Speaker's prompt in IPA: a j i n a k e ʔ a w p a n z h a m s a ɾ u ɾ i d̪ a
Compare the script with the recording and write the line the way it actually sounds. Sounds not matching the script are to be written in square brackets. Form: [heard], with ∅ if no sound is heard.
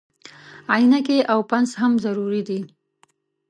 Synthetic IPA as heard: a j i n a k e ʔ a w p a n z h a m [z] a ɾ u ɾ i d̪ [i]